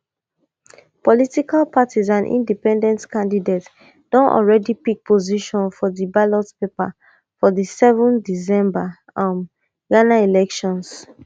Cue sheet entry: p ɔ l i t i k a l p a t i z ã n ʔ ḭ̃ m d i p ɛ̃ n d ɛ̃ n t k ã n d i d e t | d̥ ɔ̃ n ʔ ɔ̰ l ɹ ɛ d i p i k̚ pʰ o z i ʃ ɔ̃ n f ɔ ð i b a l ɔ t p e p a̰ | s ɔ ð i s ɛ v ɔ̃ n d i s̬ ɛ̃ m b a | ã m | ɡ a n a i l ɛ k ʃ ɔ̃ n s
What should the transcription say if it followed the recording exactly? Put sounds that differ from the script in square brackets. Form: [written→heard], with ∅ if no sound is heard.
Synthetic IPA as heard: p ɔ l i t i k a l p a t i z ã n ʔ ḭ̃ [m→n] d i p ɛ̃ n d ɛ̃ n t k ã n d i d e t | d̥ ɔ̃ n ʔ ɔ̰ l ɹ ɛ d i p i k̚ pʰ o z i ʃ ɔ̃ n f ɔ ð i b a l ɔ t p e p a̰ | [s→f] ɔ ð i s ɛ v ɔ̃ n d i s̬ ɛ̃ m b a | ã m | ɡ a n a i l ɛ k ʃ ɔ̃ n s